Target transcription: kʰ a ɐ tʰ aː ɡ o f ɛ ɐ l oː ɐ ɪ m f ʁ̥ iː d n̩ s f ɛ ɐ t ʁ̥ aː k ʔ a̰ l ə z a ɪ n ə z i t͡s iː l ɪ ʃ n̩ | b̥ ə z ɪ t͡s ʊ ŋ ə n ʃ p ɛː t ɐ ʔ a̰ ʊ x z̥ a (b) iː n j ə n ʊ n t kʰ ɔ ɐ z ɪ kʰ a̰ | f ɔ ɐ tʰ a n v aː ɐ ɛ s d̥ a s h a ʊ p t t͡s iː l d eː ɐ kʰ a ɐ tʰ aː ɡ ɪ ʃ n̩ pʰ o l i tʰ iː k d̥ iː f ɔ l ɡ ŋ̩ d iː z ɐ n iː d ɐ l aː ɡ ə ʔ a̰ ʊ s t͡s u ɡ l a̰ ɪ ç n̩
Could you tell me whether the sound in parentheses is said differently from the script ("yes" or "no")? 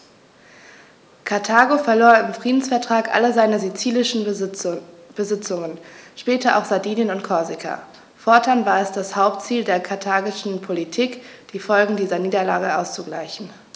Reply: yes